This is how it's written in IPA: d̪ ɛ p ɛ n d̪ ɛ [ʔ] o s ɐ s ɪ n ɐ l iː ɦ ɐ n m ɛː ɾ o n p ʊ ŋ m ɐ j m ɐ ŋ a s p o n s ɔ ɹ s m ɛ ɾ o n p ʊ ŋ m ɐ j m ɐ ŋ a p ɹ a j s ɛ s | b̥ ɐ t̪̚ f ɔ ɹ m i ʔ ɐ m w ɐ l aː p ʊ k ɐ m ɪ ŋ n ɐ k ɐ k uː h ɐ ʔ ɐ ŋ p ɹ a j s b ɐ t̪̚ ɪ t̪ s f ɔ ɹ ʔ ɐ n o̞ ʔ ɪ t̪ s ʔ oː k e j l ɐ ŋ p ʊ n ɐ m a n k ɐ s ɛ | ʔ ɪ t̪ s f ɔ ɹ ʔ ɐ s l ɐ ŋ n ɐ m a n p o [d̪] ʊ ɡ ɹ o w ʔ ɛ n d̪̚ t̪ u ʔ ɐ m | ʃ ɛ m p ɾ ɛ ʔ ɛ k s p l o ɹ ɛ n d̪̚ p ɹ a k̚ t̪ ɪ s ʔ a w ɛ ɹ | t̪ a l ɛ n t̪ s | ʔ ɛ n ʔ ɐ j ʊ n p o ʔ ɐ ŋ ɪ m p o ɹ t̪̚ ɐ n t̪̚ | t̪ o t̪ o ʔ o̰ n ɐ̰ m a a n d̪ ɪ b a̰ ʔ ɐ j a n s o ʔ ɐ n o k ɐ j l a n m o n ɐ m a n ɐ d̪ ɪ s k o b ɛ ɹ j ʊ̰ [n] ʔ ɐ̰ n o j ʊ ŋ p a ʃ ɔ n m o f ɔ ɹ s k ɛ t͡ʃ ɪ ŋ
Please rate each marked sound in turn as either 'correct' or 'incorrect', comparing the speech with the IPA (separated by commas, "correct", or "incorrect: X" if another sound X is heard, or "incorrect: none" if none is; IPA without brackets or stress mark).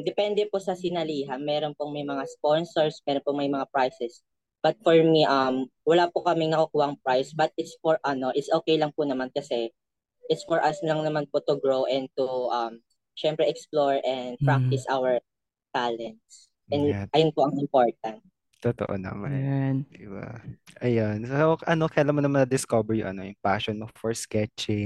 incorrect: p, incorrect: t̪, incorrect: ŋ